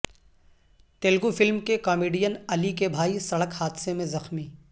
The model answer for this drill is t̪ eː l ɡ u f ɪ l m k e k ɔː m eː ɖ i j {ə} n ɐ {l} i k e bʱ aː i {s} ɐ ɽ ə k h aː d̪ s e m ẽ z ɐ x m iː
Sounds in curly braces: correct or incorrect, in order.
correct, correct, correct

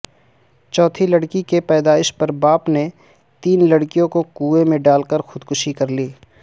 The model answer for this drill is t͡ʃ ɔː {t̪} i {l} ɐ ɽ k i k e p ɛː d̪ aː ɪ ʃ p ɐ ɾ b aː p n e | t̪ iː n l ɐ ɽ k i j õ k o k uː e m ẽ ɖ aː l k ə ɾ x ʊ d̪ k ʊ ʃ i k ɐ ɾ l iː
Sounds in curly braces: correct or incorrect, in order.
incorrect, correct

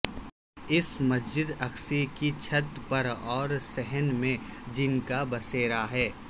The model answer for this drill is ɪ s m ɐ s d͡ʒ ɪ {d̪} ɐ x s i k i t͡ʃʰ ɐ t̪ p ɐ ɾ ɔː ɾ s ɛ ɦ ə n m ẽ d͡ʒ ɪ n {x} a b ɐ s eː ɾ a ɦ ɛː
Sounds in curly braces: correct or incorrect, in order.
correct, incorrect

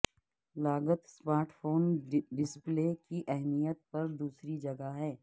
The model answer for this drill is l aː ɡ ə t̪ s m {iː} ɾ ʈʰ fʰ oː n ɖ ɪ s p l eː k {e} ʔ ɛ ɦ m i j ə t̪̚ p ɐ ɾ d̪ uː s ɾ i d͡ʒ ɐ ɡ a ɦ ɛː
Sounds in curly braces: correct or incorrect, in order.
incorrect, incorrect

